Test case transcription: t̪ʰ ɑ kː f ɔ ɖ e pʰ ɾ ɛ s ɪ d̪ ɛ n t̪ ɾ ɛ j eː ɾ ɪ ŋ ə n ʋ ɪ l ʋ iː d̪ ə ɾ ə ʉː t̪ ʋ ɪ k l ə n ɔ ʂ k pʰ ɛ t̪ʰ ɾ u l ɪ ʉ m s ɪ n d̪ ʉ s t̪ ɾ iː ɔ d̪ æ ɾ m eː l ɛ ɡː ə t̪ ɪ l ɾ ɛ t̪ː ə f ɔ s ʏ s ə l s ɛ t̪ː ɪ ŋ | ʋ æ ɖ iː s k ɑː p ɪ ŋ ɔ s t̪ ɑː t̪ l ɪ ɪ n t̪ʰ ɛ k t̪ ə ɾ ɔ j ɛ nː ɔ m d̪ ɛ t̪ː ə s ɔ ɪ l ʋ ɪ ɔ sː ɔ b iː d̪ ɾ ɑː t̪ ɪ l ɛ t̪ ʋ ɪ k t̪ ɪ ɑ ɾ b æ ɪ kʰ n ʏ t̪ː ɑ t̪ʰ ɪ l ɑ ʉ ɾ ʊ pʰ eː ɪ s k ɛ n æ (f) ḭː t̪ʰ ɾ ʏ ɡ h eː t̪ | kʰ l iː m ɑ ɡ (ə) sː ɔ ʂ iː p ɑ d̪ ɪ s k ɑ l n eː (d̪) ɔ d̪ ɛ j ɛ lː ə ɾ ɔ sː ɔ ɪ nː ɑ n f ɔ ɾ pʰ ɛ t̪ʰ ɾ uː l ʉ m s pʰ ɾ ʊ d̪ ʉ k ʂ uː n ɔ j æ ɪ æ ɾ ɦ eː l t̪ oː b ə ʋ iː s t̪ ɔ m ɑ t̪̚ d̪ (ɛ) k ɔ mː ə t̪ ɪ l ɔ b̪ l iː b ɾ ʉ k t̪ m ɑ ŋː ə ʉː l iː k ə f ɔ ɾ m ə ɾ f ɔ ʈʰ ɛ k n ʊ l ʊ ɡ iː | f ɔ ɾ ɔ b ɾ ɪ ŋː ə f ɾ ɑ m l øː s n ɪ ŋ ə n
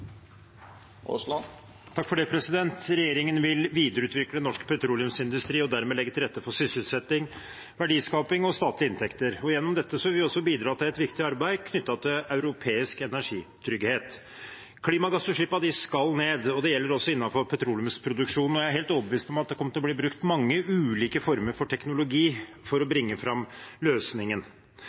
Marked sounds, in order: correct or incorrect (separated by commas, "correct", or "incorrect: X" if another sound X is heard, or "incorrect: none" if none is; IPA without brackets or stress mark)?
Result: incorrect: ʂ, incorrect: ɑ, correct, correct